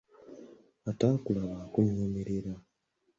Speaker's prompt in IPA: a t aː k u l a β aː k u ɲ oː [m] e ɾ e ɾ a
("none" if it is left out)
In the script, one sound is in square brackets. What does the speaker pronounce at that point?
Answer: m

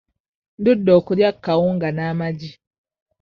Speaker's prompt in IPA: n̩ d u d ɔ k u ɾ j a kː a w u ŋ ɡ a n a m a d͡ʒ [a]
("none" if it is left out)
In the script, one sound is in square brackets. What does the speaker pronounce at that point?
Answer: i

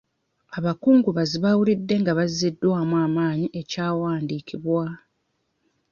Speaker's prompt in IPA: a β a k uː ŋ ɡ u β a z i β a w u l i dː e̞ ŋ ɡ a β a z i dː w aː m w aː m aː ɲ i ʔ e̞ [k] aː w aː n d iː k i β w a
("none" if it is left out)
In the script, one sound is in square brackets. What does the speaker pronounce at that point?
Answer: c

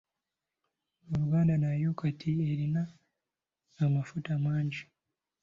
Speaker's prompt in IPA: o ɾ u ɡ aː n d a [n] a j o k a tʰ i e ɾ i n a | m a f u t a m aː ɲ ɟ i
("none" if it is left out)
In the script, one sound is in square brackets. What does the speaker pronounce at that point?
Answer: n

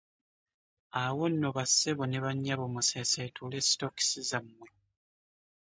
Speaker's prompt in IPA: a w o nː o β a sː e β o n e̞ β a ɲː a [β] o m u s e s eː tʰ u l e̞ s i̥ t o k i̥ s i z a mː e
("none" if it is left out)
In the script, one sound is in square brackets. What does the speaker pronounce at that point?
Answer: β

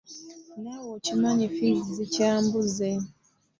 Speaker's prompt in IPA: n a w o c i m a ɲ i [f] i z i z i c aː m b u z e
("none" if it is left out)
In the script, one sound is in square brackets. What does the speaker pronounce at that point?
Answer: f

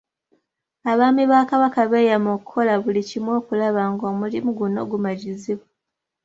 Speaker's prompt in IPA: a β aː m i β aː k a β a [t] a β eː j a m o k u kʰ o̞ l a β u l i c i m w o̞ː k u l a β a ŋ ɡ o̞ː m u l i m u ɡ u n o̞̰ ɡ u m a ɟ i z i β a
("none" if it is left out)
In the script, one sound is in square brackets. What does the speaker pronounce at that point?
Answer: k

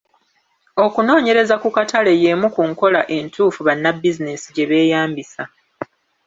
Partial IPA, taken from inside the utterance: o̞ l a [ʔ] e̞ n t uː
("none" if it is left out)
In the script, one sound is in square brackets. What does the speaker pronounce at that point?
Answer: ʔ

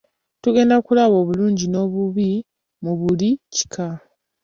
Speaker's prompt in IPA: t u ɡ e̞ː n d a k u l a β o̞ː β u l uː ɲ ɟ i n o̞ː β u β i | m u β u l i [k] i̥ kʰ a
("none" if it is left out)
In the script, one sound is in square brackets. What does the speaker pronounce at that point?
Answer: c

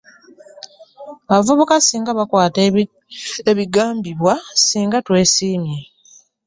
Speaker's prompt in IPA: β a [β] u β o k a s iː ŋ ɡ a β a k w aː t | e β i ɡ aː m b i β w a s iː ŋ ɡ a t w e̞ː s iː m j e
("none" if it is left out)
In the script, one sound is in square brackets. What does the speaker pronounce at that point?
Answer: v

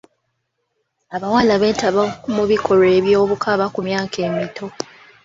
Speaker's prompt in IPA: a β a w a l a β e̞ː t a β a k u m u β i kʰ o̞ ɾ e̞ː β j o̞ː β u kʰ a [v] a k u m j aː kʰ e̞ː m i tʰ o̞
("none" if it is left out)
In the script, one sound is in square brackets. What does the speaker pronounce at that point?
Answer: β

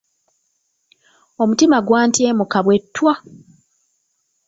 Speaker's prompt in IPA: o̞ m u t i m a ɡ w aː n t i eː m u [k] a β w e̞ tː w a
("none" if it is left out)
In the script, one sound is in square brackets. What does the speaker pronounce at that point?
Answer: k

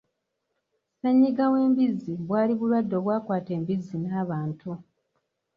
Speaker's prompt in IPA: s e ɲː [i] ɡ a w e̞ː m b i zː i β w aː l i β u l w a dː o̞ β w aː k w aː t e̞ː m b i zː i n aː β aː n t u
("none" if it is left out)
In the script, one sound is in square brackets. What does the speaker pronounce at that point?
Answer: i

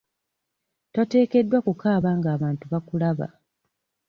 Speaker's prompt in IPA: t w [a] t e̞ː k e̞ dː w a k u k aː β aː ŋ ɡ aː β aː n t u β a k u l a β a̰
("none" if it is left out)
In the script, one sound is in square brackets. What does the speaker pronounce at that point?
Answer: a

